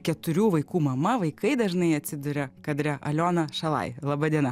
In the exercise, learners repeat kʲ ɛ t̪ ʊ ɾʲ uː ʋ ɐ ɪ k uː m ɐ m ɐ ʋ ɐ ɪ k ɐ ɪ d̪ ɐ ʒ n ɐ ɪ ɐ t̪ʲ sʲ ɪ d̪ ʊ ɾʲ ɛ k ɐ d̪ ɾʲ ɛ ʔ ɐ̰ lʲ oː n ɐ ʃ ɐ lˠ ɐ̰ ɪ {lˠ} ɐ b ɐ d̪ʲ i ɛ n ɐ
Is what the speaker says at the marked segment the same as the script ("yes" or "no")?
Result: yes